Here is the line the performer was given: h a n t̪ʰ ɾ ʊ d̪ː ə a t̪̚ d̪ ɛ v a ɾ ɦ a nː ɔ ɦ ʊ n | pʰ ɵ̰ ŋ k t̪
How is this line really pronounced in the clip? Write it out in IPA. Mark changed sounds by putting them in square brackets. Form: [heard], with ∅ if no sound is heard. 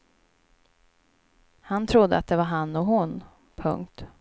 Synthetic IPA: h a n t̪ʰ ɾ ʊ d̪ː ə a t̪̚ d̪ ɛ v a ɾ ɦ a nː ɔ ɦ ʊ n | pʰ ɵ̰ ŋ k t̪